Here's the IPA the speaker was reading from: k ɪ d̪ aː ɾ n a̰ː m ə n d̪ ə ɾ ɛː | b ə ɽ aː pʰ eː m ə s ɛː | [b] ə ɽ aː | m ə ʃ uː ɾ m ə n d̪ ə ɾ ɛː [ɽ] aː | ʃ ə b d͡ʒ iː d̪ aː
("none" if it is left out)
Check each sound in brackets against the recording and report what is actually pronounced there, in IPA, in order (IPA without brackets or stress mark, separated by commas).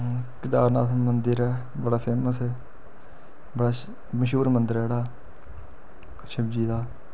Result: b, ɽ